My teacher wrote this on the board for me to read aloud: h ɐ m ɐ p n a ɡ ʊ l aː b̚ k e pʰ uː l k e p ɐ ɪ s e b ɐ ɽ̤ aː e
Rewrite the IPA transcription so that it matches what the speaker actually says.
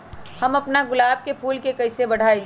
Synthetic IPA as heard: h ɐ m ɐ p n a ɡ ʊ l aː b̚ k e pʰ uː l k e k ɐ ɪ s e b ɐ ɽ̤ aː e